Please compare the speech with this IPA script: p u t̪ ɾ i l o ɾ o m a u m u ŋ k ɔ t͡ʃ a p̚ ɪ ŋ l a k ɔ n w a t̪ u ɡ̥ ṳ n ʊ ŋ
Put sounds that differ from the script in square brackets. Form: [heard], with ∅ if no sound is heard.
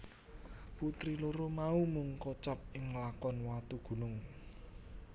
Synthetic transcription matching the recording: p u t̪ ɾ i l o ɾ o m a u m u ŋ k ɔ t͡ʃ a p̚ ɪ ŋ l a k ɔ n w a t̪ u ɡ̥ ṳ n ʊ ŋ